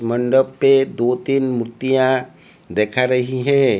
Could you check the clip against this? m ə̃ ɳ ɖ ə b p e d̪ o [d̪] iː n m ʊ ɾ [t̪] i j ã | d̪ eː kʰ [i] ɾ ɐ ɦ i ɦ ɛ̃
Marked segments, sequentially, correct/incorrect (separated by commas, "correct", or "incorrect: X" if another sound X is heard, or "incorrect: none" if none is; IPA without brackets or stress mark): incorrect: t̪, correct, incorrect: a